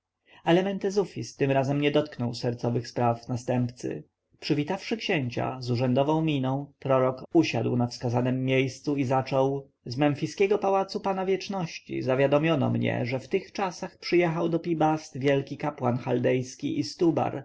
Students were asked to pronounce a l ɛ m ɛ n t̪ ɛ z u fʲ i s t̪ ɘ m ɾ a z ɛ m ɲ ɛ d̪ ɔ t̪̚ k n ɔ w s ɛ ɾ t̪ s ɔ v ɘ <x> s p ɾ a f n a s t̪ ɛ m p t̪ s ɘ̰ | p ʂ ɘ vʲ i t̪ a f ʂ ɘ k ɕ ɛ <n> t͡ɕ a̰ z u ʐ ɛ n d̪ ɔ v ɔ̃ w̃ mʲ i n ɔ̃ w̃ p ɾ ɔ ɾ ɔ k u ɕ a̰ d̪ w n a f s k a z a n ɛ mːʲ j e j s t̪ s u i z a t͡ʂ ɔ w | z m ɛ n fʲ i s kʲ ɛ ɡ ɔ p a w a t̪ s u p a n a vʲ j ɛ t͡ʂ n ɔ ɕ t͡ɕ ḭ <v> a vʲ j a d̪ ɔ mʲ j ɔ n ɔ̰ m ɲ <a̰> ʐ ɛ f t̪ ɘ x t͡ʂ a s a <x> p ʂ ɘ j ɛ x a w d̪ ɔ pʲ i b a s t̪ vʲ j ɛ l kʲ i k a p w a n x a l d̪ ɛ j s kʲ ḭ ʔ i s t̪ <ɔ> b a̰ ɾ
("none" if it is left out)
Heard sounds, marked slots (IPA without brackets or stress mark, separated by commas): x, ɲ, z, ɛ̰, x, u